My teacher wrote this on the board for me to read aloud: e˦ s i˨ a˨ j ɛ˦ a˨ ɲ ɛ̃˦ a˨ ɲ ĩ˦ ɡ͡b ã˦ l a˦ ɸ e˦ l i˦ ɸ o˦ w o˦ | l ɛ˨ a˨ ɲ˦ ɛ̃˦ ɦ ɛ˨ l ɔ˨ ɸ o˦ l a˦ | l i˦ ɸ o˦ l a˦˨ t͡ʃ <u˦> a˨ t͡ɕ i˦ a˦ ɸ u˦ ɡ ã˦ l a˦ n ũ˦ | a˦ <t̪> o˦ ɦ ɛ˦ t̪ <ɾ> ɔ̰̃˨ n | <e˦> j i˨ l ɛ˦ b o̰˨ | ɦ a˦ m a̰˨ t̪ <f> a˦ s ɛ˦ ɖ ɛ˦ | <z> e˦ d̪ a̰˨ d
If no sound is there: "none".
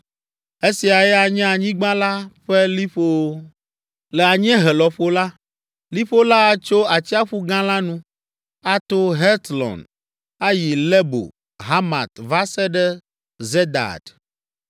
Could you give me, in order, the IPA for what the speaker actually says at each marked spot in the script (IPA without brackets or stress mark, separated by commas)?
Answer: o˦, t̪, l, a˦, v, z